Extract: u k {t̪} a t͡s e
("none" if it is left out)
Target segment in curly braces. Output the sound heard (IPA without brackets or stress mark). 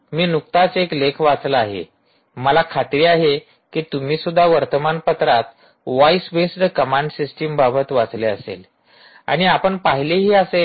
t̪